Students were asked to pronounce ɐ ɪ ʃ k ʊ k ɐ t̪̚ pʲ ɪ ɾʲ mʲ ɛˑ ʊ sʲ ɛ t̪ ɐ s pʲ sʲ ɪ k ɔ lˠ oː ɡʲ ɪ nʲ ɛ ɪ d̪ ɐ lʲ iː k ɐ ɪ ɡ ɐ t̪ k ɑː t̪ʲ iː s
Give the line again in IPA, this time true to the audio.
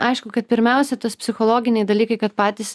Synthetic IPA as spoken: ɐ ɪ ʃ k ʊ k ɐ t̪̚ pʲ ɪ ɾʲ mʲ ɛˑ ʊ sʲ ɛ t̪ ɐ s pʲ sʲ ɪ x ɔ lˠ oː ɡʲ ɪ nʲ ɛ ɪ d̪ ɐ lʲ iː k ɐ ɪ k ɐ t̪ p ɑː t̪ʲ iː s